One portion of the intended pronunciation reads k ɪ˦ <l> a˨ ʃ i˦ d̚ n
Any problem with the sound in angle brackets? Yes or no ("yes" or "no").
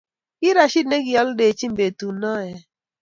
yes